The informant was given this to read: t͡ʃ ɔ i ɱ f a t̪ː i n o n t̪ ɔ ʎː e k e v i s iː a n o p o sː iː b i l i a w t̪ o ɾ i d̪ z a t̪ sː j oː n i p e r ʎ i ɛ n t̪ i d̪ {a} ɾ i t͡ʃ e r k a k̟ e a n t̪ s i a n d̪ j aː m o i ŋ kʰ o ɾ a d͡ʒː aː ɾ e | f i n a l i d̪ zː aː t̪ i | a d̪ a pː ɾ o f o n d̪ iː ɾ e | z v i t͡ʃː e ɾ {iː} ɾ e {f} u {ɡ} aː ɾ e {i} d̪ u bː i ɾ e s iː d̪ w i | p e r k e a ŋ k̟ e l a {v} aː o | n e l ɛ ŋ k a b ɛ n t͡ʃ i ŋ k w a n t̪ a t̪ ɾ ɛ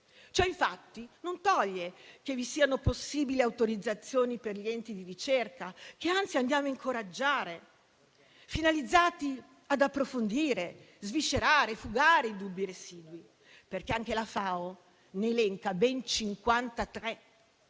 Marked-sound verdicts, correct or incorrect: incorrect, incorrect, correct, correct, correct, incorrect

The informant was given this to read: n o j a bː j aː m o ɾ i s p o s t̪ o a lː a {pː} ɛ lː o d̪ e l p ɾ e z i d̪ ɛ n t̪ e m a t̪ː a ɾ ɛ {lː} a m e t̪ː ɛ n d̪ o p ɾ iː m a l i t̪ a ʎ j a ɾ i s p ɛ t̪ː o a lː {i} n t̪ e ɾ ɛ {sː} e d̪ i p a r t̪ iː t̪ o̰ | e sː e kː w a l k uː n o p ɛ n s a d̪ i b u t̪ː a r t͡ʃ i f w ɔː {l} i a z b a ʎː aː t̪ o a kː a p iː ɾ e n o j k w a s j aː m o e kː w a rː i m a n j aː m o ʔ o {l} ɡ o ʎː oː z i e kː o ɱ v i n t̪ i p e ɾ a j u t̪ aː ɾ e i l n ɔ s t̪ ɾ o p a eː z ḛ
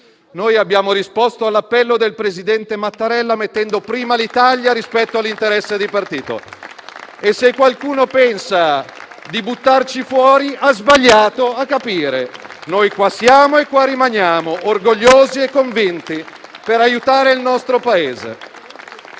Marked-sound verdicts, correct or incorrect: correct, correct, correct, correct, incorrect, incorrect

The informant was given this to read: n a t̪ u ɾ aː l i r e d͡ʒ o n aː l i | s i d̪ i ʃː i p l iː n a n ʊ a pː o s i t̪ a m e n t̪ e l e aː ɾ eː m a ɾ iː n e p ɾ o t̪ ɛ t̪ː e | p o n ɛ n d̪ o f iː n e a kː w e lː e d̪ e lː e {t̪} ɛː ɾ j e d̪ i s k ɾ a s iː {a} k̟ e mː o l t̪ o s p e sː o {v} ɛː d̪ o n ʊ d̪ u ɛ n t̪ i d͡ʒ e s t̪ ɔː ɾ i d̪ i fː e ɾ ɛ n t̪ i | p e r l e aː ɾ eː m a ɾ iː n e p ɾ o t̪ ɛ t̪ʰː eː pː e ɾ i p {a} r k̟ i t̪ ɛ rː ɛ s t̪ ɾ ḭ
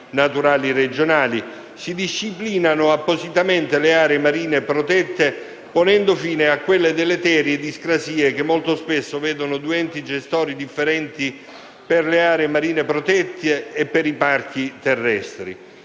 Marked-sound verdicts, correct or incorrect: correct, incorrect, correct, correct

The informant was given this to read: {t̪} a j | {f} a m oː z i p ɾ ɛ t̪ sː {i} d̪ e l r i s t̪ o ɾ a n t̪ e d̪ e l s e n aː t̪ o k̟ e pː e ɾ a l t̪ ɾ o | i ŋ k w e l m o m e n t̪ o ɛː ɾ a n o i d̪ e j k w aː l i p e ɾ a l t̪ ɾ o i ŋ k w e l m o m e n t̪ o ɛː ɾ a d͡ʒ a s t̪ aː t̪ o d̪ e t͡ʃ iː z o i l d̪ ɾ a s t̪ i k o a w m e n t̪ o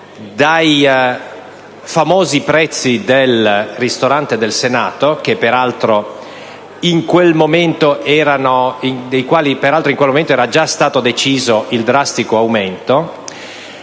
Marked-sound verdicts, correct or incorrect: incorrect, correct, correct

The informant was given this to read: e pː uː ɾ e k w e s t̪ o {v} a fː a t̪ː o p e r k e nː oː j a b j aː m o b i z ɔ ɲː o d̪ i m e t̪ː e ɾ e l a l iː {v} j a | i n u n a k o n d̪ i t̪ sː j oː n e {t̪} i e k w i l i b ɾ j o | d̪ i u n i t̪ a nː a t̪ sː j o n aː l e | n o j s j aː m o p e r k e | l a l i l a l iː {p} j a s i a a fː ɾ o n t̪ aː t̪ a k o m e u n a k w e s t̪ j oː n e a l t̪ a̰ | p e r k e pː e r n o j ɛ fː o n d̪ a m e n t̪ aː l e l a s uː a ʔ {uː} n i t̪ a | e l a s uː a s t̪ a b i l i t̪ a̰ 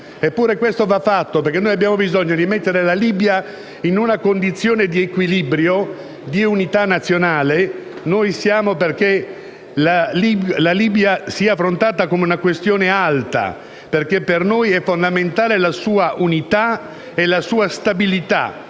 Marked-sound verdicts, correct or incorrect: correct, incorrect, incorrect, incorrect, incorrect

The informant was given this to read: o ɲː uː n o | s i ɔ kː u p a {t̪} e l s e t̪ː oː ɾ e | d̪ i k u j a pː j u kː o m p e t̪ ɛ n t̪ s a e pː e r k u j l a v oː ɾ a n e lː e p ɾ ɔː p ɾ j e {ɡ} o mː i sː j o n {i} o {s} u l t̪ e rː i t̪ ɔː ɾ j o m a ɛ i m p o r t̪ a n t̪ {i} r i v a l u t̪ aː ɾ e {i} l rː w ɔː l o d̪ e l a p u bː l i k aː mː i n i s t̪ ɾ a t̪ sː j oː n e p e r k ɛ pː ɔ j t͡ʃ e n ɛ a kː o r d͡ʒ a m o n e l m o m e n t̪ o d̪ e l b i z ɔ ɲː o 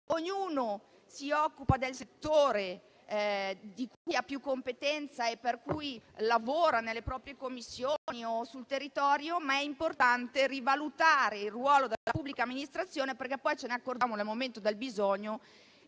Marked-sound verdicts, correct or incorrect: incorrect, incorrect, correct, correct, incorrect, correct

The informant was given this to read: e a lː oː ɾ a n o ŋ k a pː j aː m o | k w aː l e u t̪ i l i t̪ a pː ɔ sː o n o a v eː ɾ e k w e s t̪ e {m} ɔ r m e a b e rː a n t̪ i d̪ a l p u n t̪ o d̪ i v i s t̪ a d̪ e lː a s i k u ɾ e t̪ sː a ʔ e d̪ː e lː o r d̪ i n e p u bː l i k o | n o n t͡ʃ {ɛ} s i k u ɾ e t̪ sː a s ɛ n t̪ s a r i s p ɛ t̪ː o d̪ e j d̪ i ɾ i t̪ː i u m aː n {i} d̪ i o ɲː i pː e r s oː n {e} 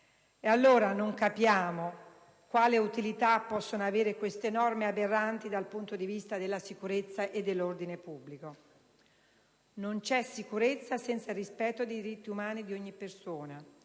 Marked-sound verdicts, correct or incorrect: incorrect, correct, correct, incorrect

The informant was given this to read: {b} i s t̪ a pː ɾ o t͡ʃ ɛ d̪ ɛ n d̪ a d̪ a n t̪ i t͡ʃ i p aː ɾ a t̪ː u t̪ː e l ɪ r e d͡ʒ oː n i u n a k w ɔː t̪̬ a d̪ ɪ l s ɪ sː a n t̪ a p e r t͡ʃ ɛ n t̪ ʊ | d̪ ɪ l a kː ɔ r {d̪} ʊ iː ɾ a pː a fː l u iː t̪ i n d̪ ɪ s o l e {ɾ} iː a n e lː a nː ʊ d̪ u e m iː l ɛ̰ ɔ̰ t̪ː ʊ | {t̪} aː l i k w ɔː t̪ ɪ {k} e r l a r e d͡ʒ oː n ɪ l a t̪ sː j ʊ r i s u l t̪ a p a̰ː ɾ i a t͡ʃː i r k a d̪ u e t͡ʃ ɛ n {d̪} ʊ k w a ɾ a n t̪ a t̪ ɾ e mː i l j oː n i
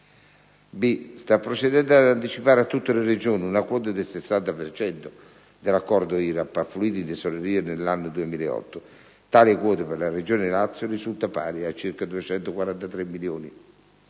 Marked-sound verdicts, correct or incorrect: correct, correct, correct, correct, incorrect, incorrect

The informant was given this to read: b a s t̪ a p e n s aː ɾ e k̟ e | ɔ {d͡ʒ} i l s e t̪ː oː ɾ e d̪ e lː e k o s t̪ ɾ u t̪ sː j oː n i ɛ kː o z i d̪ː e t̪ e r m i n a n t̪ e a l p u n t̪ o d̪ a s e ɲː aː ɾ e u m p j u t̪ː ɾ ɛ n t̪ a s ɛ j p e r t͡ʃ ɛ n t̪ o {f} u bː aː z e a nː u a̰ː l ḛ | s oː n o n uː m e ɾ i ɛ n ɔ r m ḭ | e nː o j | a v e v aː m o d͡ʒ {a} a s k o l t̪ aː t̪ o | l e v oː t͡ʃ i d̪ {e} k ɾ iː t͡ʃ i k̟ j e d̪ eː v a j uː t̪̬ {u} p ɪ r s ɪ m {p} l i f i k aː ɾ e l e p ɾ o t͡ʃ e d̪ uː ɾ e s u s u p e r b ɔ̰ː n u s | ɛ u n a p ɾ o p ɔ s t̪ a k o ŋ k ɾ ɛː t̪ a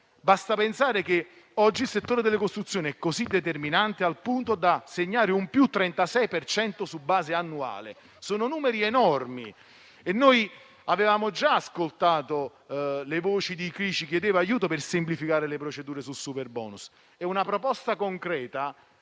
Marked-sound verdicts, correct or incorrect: incorrect, incorrect, correct, incorrect, incorrect, correct

